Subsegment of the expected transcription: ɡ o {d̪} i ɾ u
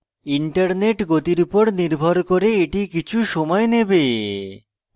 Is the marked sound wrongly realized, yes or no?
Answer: yes